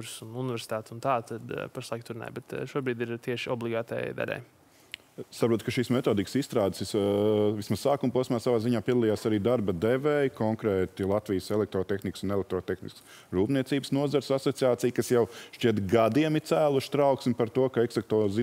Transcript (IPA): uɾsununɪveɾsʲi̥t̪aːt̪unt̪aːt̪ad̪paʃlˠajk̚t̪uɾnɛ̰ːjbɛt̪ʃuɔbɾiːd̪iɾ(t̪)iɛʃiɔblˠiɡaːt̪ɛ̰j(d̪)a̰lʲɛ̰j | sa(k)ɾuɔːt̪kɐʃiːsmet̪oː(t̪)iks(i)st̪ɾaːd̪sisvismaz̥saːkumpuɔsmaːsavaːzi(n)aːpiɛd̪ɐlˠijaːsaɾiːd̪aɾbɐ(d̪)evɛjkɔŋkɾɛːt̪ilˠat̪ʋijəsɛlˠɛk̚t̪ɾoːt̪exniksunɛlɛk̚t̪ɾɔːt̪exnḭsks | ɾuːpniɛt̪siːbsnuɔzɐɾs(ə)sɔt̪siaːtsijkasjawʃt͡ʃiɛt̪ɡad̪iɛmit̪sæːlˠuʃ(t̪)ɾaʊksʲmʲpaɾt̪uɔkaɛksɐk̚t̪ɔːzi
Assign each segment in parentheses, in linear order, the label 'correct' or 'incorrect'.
correct, correct, incorrect: p, incorrect: d̪, correct, incorrect: ɲ, correct, incorrect: a, correct

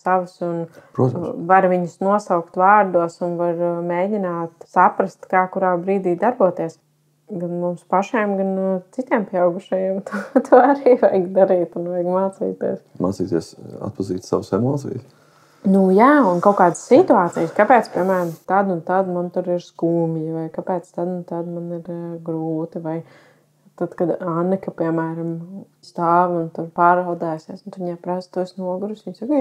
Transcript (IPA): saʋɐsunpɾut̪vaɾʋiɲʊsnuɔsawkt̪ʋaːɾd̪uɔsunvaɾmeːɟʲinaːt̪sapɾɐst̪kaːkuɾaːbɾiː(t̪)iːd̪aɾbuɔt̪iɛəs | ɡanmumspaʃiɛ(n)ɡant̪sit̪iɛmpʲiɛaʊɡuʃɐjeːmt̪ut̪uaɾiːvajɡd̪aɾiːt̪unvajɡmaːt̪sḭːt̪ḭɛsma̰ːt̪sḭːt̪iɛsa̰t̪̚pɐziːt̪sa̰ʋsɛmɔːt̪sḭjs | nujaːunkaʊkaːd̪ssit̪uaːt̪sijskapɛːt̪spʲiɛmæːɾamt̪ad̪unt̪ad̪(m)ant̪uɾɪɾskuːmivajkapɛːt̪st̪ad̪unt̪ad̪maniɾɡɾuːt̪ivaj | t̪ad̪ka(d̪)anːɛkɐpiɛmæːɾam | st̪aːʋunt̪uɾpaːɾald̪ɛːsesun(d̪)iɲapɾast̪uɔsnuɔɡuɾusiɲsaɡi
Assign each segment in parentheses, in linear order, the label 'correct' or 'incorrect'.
incorrect: d̪, incorrect: m, correct, correct, incorrect: t̪

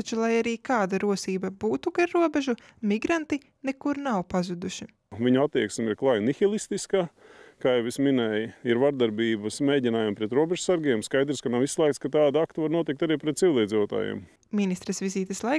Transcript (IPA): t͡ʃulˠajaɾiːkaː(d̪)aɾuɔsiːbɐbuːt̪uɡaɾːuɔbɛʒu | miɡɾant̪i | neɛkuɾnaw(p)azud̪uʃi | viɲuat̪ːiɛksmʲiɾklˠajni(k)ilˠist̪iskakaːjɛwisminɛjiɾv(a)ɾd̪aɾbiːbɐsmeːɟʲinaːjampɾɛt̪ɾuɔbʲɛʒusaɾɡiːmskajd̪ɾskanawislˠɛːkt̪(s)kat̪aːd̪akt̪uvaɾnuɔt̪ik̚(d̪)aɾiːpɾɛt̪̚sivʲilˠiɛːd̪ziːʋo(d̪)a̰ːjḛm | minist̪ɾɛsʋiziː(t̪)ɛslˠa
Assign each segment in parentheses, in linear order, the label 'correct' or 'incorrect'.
correct, correct, incorrect: x, correct, correct, incorrect: t̪, incorrect: t̪, correct

